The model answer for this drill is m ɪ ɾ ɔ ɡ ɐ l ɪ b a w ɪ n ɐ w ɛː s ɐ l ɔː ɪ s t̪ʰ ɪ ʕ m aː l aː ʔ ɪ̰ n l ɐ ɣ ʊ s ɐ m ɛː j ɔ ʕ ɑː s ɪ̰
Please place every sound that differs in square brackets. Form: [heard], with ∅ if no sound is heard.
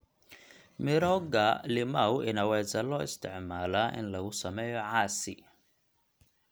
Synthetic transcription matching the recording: m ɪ ɾ ɔ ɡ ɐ l ɪ [m] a w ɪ n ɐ w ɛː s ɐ l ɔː ɪ s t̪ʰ ɪ ʕ m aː l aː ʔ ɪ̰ n l ɐ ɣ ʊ s ɐ m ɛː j ɔ ʕ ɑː s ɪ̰